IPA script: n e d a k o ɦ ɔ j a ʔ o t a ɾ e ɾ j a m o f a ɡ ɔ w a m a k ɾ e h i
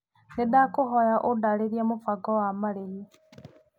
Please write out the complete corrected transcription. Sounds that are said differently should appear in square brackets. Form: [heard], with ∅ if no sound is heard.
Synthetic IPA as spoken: n e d a k o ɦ ɔ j a ʔ o [d] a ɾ e ɾ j a m o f a ɡ ɔ w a m a [∅] ɾ e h i